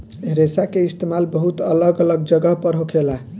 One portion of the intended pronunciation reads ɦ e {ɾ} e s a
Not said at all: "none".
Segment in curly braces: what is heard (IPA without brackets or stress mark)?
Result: ɾ